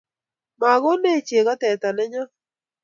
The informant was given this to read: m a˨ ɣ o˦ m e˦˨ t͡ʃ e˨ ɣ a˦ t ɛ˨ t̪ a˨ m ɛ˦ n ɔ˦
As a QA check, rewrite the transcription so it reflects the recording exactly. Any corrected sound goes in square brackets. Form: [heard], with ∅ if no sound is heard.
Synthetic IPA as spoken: m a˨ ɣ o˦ [n] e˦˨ t͡ʃ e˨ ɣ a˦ t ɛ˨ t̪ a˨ [n] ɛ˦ [ɲ] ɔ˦